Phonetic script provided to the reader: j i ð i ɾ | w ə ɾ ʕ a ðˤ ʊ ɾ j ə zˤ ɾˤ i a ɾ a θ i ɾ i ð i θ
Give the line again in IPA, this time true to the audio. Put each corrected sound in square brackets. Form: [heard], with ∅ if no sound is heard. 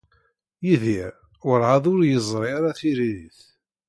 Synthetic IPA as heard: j i ð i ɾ | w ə ɾ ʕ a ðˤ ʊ ɾ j ə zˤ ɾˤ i a ɾ a θ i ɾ i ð i θ